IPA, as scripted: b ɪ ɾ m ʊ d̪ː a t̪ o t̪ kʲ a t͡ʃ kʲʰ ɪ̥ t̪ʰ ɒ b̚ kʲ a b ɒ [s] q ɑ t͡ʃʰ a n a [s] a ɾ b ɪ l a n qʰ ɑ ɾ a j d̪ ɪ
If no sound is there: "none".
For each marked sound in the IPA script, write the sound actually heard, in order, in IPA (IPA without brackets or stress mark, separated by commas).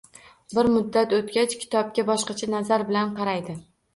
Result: ʃ, z